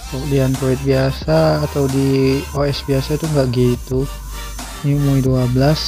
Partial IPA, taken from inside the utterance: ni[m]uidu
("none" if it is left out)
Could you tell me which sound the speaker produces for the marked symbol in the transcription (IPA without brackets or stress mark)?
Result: m